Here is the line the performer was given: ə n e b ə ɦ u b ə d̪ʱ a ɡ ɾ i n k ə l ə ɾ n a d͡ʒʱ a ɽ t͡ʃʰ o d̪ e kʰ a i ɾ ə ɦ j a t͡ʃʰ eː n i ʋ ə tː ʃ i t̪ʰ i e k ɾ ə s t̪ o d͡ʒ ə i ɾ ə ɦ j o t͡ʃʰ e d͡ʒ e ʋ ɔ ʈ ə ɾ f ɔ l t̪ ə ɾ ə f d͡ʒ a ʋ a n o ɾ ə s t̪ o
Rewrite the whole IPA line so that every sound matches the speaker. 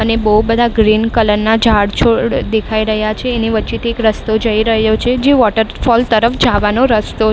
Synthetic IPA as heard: ə n e b ə ɦ u b ə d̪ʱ a ɡ ɾ i n k ə l ə ɾ n a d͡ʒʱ a ɽ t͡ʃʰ o d̪ e kʰ a i ɾ ə ɦ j a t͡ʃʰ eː n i ʋ ə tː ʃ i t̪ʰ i e k ɾ ə s t̪ o d͡ʒ ə i ɾ ə ɦ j o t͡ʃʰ e d͡ʒ e ʋ ɔ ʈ ə ɾ f ɔ l t̪ ə ɾ ə f d͡ʒ a ʋ a n o ɾ ə s t̪ o